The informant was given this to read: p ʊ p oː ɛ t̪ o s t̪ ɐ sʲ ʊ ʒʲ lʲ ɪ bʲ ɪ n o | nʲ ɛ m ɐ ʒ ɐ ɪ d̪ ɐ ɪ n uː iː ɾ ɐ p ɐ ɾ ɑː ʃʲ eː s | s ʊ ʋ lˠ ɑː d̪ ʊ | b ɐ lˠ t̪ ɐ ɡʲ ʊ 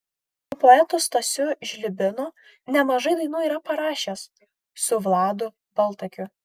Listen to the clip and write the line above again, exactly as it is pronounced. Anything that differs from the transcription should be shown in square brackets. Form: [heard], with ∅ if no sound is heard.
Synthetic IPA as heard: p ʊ p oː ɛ t̪ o s t̪ ɐ sʲ ʊ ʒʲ lʲ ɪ bʲ ɪ n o | nʲ ɛ m ɐ ʒ ɐ ɪ d̪ ɐ ɪ n uː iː ɾ ɐ p ɐ ɾ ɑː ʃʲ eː s | s ʊ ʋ lˠ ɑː d̪ ʊ | b ɐ lˠ t̪ ɐ [kʲ] ʊ